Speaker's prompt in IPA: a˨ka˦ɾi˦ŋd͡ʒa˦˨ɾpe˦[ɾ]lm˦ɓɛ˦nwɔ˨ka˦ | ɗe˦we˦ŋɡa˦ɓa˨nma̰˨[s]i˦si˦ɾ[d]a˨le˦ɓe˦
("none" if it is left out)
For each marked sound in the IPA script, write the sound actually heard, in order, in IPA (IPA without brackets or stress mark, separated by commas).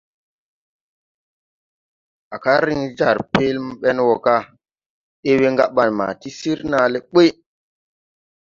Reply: none, t, n